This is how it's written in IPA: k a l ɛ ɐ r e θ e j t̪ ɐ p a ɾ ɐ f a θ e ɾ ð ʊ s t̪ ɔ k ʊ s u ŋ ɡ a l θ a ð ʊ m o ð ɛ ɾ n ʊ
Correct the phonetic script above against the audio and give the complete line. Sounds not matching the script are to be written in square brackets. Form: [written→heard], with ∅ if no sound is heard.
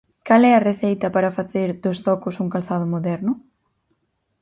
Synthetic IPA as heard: k a l ɛ ɐ r e θ e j t̪ ɐ p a ɾ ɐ f a θ e ɾ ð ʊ s t̪ ɔ k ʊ s u ŋ [ɡ→k] a l θ a ð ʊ m o ð ɛ ɾ n ʊ